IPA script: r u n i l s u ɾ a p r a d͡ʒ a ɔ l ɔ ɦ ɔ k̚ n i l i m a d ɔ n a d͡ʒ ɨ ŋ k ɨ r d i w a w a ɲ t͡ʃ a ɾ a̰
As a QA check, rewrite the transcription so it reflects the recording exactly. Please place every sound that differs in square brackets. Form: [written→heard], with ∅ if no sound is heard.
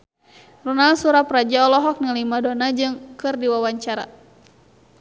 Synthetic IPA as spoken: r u n [i→a] l s u ɾ a p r a d͡ʒ a ɔ l ɔ ɦ ɔ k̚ n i l i m a d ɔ n a d͡ʒ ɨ ŋ k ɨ r d i w a w a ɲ t͡ʃ a ɾ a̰